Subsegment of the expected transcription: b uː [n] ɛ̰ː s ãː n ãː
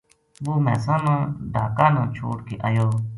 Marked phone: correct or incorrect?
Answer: incorrect